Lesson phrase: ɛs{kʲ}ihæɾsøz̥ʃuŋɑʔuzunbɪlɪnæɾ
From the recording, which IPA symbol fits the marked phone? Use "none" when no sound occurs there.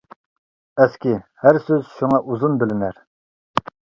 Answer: kʲ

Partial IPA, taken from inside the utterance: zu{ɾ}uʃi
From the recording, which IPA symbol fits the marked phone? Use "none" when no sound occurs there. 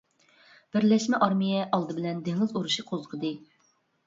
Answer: ɾ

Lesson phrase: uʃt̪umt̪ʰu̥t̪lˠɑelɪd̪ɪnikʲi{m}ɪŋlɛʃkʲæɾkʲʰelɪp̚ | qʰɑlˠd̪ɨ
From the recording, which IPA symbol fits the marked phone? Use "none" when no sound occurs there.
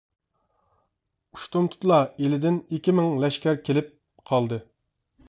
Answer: m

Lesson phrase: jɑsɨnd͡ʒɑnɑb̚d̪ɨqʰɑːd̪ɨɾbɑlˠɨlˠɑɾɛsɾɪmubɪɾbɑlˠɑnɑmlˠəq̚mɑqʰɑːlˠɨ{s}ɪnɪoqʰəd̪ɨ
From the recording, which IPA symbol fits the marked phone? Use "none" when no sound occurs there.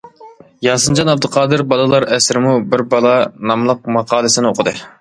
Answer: s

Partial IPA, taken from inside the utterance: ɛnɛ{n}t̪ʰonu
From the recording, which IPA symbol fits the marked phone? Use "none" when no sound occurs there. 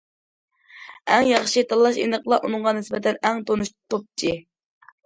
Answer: ŋ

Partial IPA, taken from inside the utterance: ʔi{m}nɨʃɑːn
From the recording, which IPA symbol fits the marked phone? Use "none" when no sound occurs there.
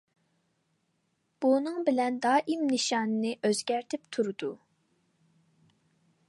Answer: m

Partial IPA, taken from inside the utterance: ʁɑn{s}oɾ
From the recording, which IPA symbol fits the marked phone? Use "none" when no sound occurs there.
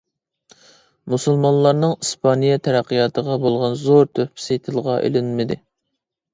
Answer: z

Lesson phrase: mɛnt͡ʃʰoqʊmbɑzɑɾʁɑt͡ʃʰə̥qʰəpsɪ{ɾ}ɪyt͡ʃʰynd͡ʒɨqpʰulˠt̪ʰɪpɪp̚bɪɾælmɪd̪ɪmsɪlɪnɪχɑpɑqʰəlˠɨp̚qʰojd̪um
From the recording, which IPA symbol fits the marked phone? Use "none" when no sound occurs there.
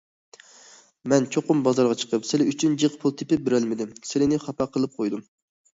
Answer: l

